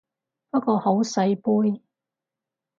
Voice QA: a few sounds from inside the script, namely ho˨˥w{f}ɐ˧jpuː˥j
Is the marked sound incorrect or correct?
incorrect